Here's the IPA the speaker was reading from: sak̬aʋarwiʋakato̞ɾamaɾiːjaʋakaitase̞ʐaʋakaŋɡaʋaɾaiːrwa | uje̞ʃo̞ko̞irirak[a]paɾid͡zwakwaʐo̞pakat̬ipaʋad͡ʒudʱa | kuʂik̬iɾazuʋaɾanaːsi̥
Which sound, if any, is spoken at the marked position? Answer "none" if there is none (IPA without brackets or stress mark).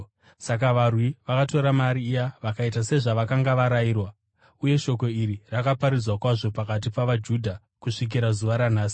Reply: a